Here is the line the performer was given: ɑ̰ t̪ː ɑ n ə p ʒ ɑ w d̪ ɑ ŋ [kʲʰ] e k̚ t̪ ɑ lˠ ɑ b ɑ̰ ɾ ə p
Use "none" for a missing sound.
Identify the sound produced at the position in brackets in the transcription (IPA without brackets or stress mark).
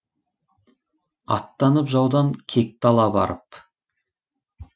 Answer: kʲʰ